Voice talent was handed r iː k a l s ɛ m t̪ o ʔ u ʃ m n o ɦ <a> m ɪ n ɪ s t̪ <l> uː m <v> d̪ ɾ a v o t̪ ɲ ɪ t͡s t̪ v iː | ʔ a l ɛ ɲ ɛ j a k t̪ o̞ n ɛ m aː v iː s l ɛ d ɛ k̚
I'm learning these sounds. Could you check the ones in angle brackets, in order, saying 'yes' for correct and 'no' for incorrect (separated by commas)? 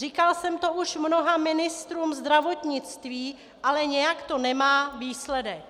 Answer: yes, no, no